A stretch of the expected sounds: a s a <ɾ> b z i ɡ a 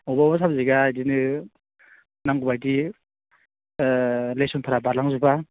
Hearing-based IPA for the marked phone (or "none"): none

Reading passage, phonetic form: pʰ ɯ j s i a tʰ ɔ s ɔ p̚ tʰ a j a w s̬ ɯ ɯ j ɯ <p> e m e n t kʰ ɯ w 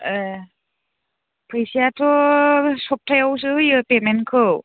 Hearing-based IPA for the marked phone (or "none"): p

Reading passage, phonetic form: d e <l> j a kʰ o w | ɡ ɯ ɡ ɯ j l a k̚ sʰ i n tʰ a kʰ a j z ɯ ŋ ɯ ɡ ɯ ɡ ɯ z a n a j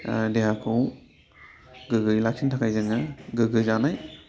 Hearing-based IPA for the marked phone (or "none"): none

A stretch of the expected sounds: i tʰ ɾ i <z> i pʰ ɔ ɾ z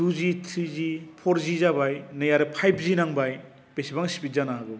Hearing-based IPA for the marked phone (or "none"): z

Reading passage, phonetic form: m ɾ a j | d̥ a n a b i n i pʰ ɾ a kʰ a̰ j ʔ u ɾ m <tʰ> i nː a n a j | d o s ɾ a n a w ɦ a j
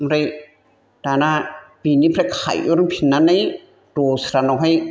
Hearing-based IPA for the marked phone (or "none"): pʰ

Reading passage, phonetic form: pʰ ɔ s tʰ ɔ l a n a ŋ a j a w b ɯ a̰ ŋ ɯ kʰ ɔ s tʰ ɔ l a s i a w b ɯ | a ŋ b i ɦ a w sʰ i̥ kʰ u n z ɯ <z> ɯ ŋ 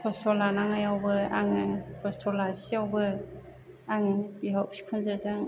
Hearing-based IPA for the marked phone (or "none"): z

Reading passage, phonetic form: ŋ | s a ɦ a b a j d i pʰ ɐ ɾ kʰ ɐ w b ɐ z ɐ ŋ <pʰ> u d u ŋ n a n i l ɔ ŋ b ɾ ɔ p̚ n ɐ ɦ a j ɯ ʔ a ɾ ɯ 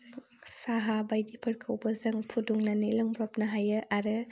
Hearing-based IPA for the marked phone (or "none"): pʰ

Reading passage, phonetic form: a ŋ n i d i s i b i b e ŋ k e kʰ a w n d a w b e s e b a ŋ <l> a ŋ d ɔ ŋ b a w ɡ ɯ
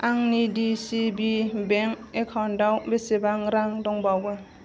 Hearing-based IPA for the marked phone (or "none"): ɾ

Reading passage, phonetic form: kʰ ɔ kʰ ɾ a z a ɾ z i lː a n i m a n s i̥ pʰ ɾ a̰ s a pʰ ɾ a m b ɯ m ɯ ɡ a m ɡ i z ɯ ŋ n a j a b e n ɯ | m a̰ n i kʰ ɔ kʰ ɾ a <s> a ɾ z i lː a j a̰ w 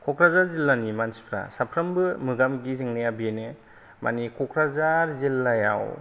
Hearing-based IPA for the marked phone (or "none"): z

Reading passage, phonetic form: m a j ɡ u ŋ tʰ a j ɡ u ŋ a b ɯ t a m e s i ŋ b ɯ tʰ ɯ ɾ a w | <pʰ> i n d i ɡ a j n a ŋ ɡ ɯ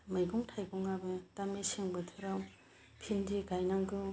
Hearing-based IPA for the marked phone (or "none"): pʰ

